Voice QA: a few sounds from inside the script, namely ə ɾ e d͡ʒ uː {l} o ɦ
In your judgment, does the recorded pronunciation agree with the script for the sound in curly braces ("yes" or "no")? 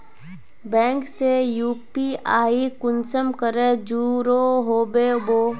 no